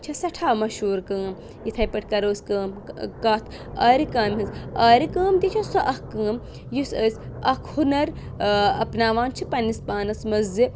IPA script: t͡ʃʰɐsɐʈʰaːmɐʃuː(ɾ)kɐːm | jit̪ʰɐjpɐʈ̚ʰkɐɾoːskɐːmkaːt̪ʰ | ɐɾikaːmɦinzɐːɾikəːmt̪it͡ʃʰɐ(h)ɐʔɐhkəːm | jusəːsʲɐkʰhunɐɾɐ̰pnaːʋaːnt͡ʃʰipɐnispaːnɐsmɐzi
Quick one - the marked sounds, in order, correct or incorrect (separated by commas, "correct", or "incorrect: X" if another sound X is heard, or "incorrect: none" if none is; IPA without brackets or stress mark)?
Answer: correct, incorrect: s